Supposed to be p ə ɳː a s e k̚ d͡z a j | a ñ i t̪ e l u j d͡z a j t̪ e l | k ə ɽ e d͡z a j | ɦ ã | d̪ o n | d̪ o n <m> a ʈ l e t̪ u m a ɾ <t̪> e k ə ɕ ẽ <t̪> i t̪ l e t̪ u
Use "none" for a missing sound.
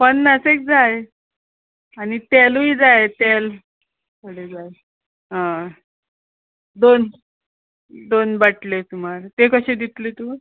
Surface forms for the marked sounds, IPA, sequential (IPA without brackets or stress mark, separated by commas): b, t̪, d̪